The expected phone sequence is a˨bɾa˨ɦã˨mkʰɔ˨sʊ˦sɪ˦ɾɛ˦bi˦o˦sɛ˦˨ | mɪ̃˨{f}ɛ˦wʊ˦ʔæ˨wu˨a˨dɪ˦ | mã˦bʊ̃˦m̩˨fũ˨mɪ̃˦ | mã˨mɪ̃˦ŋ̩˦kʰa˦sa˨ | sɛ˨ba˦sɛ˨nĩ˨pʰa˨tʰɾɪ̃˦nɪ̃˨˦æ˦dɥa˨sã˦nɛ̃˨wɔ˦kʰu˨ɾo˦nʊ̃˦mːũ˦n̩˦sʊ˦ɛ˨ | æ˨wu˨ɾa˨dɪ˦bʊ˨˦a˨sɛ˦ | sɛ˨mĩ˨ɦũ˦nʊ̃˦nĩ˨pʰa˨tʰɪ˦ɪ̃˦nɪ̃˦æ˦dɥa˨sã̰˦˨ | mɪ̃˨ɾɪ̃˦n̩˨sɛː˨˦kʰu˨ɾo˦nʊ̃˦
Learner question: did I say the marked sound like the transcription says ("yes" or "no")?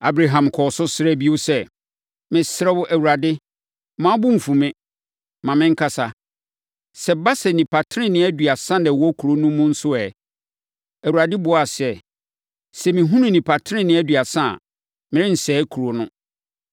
no